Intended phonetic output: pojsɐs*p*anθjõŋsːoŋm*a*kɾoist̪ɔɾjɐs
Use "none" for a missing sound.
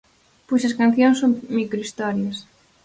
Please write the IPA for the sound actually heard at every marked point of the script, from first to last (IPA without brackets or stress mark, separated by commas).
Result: k, i